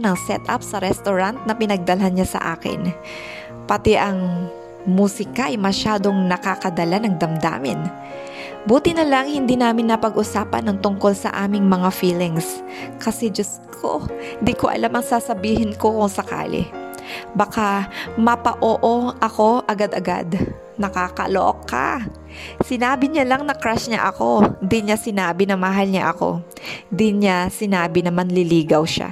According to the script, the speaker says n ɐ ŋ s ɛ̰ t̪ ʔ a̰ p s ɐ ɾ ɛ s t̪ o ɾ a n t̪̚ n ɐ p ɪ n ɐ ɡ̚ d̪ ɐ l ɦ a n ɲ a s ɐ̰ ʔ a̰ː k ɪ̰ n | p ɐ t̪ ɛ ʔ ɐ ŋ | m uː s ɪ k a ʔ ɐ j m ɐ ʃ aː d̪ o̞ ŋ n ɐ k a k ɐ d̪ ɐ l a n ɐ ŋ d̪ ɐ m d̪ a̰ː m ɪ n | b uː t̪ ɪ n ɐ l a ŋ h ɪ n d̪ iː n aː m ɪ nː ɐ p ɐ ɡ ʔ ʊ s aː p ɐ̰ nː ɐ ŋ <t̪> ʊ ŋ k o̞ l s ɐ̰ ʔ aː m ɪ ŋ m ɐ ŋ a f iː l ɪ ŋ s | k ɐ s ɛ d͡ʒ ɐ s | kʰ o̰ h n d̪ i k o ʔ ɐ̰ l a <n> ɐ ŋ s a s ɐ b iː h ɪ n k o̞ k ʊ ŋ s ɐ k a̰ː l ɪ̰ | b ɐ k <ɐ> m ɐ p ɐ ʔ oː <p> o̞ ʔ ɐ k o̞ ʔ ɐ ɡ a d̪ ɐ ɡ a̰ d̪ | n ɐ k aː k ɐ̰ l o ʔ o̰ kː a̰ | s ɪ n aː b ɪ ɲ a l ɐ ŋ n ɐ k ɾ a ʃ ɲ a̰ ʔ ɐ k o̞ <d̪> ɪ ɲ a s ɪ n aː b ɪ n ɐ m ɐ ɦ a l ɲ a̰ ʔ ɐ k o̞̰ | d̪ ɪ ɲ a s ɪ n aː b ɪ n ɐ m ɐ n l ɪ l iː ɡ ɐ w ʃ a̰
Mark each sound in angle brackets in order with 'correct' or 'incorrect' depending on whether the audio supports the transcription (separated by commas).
correct, incorrect, incorrect, incorrect, correct